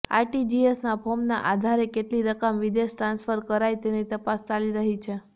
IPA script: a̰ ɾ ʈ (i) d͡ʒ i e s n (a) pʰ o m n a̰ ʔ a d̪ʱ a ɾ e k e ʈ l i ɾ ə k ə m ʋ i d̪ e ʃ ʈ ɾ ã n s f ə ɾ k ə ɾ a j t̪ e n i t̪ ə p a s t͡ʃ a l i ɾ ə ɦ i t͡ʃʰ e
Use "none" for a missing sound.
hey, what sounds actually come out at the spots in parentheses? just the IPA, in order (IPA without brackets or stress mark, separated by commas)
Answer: i, a